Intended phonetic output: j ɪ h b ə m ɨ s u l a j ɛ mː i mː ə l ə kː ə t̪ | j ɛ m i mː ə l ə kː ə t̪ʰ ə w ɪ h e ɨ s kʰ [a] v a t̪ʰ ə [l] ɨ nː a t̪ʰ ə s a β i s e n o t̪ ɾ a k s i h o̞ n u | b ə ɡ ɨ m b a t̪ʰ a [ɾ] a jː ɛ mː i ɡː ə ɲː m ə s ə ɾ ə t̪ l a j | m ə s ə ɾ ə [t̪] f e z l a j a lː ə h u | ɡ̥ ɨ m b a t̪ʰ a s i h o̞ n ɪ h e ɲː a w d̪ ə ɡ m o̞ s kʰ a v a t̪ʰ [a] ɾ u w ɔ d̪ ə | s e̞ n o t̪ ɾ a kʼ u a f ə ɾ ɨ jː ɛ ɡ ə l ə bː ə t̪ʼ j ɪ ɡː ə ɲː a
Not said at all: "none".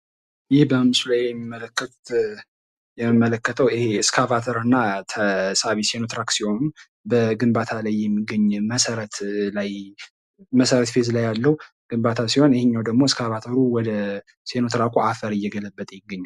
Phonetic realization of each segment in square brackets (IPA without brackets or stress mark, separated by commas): a, ɾ, l, t̪, ə